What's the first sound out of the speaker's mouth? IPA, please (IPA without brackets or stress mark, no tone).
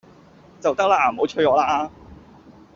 t͡s